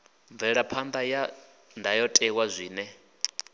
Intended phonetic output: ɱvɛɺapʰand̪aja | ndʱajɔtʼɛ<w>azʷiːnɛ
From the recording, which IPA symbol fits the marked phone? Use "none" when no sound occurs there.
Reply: w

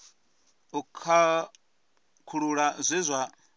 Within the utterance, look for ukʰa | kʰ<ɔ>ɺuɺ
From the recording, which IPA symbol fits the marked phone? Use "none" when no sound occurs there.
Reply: u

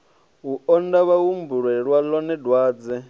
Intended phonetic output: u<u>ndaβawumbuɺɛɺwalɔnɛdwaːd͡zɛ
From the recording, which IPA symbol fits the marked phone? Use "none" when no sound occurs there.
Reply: ɔ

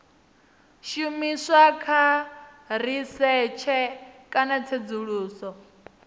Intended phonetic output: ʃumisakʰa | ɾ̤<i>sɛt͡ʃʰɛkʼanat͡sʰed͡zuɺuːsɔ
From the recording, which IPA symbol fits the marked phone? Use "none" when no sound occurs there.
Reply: i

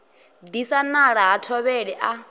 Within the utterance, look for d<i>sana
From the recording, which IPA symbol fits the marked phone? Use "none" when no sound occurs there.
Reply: i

